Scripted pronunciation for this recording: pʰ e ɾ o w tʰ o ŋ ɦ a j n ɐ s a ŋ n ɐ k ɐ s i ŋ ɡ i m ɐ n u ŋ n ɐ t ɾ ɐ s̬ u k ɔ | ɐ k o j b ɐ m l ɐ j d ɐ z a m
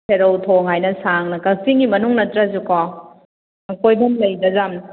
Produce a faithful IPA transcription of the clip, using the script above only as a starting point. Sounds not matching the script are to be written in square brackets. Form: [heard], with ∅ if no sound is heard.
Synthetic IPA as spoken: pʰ e ɾ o w tʰ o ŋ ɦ a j n ɐ s a ŋ n ɐ k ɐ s i ŋ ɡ i m ɐ n u ŋ n ɐ t ɾ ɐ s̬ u k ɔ | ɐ k o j b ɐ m l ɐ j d ɐ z a m